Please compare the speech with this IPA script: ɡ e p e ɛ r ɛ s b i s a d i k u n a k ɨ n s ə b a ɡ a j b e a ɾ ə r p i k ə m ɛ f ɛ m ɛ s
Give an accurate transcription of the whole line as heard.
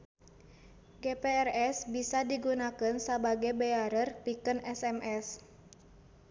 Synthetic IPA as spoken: ɡ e p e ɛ r ɛ s b i s a d i ɡ u n a k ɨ n s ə b a ɡ a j b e a ɾ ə r p i k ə n ɛ s ɛ m ɛ s